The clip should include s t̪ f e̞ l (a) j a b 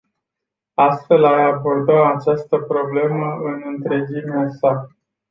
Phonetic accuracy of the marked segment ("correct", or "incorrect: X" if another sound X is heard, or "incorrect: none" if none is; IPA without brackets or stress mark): correct